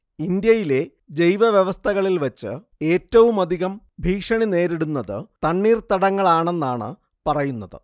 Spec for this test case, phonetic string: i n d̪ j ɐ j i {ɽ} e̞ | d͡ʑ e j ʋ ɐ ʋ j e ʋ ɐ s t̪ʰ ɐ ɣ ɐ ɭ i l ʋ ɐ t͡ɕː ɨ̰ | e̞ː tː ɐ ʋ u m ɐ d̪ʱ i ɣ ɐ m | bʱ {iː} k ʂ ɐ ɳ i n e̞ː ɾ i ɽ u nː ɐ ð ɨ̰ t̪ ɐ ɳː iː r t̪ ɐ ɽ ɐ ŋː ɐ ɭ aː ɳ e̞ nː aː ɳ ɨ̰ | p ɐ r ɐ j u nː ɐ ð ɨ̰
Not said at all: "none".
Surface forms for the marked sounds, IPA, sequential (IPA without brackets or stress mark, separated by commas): l, iː